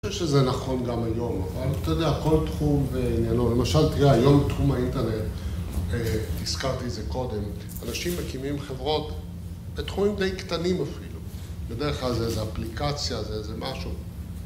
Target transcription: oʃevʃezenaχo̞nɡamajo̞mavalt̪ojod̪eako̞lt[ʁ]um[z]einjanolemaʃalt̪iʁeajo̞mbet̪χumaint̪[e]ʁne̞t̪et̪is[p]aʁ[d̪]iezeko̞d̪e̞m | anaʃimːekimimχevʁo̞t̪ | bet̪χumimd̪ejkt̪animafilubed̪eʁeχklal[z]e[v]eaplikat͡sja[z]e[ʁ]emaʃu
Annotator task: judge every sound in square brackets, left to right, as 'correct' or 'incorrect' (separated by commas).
incorrect, incorrect, correct, incorrect, incorrect, correct, incorrect, correct, incorrect